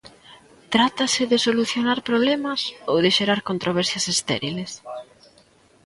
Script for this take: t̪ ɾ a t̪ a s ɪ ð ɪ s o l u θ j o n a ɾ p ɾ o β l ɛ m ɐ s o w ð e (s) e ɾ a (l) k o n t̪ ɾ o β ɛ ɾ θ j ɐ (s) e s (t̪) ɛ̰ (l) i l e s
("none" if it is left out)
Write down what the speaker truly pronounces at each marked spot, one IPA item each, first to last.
ʃ, ɾ, s, t̪, ɾ

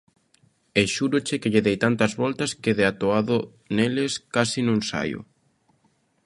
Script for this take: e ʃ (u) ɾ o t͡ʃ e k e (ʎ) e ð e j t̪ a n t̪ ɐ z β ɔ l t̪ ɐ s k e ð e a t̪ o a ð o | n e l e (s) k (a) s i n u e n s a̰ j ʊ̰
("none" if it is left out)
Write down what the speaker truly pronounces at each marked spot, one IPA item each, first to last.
u, ʎ, s, a

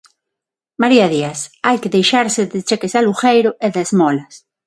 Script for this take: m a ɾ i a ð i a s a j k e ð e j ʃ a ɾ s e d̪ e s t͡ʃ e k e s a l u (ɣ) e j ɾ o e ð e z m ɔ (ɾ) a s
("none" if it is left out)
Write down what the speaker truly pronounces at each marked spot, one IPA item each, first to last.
x, l

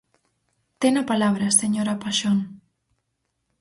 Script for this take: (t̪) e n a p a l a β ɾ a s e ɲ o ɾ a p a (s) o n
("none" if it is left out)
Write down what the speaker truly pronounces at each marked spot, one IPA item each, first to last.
t̪, ʃ

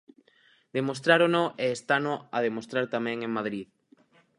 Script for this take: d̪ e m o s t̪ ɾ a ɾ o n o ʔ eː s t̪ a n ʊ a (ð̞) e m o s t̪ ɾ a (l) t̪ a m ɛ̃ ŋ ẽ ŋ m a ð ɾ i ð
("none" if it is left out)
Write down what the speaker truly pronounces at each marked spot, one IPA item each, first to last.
ð̞, ɾ

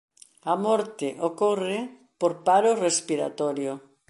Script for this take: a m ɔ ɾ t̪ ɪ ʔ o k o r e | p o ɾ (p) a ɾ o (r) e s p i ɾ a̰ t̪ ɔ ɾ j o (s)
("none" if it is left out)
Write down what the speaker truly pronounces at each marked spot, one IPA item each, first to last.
p, r, none

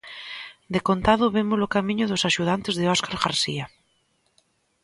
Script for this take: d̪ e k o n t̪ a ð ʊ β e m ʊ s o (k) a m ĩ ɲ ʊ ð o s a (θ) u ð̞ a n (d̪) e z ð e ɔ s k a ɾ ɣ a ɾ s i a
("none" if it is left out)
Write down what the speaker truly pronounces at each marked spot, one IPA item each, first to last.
k, ʃ, t̪

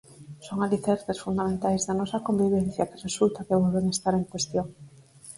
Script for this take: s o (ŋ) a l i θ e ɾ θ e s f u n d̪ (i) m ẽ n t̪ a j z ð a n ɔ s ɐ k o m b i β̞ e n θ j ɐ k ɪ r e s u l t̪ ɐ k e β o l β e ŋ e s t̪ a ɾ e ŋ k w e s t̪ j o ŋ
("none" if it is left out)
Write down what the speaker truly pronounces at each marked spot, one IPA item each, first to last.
ŋ, a

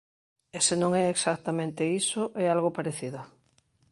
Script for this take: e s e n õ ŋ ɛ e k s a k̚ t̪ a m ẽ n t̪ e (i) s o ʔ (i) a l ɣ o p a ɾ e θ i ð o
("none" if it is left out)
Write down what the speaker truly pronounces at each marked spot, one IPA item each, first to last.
i, ɛ

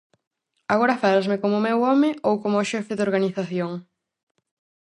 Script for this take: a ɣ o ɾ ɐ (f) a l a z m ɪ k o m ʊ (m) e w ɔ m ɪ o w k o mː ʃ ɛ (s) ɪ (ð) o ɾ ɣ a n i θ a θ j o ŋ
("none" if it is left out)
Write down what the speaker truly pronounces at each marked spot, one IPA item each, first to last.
f, m, f, ð

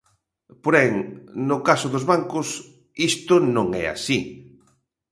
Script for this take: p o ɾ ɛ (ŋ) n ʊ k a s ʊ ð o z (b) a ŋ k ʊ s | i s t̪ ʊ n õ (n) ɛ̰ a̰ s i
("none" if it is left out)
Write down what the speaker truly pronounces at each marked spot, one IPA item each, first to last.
ŋ, β, ŋ

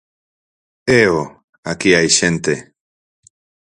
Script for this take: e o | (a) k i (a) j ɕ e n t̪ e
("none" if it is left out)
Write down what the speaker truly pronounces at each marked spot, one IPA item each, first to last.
a, a

